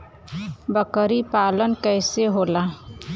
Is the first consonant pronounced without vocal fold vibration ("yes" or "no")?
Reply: no